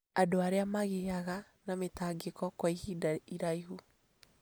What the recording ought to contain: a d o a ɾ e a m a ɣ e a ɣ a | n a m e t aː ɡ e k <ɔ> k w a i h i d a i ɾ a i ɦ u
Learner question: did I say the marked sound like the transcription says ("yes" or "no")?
yes